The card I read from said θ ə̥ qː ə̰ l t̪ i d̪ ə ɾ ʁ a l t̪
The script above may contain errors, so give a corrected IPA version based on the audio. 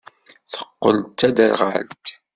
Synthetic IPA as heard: θ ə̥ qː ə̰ l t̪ æ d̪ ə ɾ ʁ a l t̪